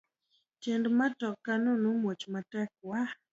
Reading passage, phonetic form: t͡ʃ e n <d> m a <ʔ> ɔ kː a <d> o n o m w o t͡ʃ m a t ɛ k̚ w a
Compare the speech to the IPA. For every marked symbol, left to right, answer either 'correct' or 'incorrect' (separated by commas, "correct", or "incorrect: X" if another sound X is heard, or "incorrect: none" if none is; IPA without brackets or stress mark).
correct, incorrect: t, incorrect: n